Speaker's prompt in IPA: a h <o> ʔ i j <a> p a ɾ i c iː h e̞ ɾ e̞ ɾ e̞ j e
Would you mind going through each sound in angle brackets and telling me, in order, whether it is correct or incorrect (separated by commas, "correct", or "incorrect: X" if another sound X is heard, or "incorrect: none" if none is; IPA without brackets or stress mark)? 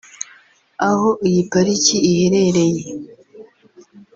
correct, incorrect: i